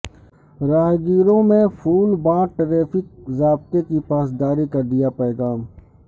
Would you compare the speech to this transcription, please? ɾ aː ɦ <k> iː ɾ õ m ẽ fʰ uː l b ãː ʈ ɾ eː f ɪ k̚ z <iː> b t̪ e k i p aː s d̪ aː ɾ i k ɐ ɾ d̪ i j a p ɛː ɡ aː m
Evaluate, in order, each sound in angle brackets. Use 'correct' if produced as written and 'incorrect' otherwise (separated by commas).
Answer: incorrect, incorrect